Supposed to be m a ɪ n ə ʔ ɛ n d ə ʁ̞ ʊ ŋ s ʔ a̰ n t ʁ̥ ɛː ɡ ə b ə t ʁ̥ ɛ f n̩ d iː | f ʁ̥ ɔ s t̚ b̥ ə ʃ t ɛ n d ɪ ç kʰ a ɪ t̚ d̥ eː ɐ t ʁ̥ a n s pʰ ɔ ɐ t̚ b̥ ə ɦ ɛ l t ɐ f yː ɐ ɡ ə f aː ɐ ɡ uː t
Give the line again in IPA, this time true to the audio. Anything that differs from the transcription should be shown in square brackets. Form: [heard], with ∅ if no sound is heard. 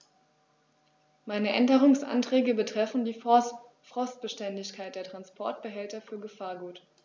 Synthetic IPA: m a ɪ n ə ʔ ɛ n d ə ʁ̞ ʊ ŋ s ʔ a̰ n t ʁ̥ ɛː ɡ ə b ə t ʁ̥ ɛ f n̩ d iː | f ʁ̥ ɔ s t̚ b̥ ə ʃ t ɛ n d ɪ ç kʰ a ɪ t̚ d̥ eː ɐ t ʁ̥ a n s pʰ ɔ ɐ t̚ b̥ ə ɦ ɛ l t ɐ f yː ɐ ɡ ə f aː ɐ ɡ uː t